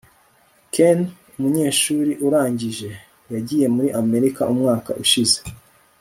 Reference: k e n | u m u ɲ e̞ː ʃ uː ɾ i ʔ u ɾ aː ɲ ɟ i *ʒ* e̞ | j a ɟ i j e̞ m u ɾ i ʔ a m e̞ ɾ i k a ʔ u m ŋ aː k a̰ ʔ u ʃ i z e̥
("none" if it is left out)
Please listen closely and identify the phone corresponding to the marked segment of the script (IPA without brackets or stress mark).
ʒ